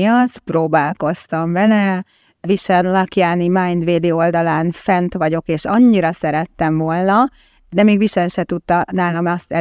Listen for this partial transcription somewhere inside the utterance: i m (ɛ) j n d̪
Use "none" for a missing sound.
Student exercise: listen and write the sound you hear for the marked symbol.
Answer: a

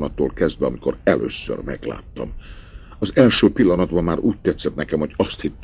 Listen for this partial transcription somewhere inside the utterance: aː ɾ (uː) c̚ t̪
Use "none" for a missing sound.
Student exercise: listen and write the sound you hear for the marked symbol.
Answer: uː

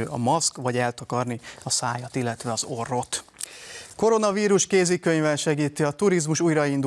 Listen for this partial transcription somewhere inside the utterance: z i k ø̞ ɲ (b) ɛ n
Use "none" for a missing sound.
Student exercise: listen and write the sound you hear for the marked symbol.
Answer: v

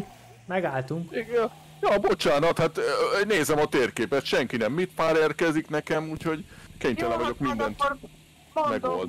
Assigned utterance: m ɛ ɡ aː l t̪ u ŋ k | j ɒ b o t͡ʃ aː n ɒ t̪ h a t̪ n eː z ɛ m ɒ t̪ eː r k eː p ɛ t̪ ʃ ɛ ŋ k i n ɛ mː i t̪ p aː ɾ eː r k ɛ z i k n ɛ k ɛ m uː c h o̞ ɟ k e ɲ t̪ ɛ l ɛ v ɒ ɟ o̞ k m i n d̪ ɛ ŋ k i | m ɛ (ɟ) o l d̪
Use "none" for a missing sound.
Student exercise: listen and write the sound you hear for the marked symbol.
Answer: ɡ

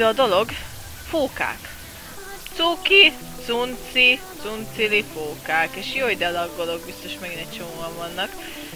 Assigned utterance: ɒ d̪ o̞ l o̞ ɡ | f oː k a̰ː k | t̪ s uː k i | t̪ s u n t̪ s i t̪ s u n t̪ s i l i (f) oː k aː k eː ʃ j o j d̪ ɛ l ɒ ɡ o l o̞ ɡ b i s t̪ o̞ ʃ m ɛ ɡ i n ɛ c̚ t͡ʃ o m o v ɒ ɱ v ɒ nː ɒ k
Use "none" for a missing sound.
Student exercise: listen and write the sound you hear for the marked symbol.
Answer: f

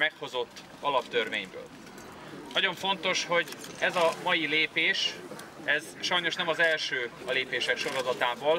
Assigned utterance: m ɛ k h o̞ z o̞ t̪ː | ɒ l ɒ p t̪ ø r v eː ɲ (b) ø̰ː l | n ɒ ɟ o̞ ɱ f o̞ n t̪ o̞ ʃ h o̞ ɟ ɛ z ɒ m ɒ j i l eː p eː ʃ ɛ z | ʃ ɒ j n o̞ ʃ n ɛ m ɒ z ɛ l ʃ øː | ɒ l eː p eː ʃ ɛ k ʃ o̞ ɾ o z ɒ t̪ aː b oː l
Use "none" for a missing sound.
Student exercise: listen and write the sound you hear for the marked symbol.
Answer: b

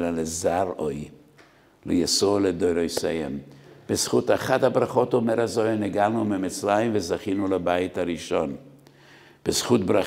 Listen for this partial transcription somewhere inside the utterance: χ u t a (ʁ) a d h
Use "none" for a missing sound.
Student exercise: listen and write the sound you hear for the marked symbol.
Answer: χ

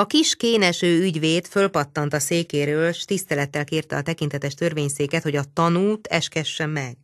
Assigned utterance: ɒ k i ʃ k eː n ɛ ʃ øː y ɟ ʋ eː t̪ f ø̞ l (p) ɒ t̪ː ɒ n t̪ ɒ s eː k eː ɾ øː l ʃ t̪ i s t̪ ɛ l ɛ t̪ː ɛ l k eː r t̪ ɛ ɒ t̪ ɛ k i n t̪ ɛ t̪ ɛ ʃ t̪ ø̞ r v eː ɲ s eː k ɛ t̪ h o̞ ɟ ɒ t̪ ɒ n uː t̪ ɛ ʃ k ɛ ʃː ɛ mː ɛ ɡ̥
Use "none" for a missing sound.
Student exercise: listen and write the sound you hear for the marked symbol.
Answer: p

